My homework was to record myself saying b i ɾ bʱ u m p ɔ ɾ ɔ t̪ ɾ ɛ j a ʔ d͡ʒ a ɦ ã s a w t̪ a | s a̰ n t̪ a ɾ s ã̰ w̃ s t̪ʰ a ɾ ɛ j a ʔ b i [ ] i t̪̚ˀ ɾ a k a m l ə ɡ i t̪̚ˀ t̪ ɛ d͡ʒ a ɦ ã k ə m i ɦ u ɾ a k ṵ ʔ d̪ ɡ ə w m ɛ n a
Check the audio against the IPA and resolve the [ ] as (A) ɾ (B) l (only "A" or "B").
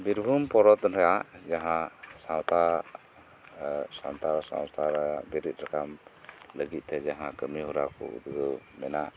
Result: A